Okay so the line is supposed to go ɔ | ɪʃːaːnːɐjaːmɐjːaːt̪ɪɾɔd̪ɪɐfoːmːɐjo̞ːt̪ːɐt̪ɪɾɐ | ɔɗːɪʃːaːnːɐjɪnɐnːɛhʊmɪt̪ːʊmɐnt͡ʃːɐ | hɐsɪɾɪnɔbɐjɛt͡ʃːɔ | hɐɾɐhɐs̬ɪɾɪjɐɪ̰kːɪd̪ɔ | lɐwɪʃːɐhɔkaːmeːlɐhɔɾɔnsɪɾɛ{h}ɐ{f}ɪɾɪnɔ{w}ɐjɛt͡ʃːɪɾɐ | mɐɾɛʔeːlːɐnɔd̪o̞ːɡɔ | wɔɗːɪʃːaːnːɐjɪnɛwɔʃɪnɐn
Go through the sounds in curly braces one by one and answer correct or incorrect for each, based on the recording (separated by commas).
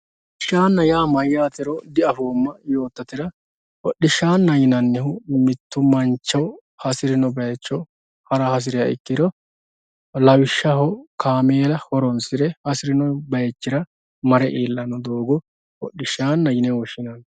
correct, incorrect, incorrect